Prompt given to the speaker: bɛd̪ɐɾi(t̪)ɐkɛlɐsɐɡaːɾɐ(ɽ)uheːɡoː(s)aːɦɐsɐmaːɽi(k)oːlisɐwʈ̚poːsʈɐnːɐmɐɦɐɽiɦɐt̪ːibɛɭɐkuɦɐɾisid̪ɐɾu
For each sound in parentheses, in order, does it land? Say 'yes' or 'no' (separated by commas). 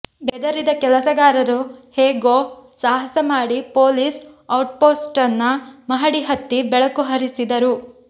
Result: no, no, yes, no